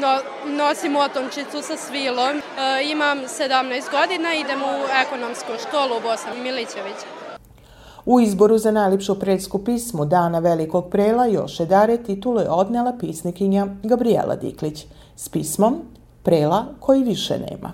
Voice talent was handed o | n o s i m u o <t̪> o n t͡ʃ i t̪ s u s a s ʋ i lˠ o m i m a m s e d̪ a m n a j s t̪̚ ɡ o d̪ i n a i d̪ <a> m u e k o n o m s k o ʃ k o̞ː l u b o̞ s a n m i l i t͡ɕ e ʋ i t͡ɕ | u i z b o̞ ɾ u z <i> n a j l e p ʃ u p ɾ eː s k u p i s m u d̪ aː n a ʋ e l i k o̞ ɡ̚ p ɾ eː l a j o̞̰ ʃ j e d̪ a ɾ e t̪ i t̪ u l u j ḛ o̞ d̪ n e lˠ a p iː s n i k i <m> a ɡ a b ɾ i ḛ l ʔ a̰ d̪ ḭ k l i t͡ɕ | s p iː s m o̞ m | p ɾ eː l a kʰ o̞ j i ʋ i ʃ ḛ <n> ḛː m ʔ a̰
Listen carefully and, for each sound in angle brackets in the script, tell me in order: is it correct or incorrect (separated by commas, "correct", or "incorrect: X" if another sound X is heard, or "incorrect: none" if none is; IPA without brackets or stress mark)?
correct, incorrect: e, incorrect: a, incorrect: ɲ, correct